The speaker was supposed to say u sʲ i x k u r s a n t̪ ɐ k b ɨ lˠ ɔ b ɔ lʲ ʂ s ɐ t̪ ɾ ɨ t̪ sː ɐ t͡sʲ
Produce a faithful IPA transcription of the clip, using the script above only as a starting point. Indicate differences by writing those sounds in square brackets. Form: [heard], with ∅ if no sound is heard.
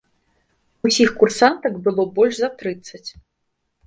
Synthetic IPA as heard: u sʲ i x k u r s a n t̪ ɐ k b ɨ lˠ ɔ b ɔ lʲ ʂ [z] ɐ t̪ ɾ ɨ t̪ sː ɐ t͡sʲ